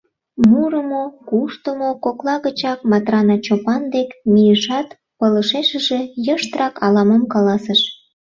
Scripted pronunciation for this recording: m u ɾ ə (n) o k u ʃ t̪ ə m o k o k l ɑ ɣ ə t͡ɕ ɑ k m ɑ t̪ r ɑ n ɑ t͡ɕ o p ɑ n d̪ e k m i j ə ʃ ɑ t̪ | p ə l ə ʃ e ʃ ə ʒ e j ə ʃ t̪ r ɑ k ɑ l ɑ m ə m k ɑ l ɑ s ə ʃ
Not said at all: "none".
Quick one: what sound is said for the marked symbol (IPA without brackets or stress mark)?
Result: m